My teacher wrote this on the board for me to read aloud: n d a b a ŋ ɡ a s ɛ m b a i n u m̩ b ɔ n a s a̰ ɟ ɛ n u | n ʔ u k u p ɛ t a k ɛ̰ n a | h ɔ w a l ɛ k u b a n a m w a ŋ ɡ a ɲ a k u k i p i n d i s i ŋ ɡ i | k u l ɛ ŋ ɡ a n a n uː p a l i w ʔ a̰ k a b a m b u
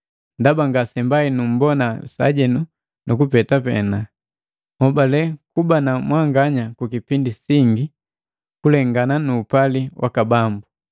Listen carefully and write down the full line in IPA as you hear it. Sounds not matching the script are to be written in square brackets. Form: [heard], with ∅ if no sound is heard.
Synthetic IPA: n d a b a ŋ ɡ a s ɛ m b a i n u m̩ b ɔ n a s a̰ ɟ ɛ n u | n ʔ u k u p ɛ t a [p] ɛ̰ n a | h ɔ [b] a l ɛ k u b a n a m w a ŋ ɡ a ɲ a k u k i p i n d i s i ŋ ɡ i | k u l ɛ ŋ ɡ a n a n uː p a l i w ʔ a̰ k a b a m b u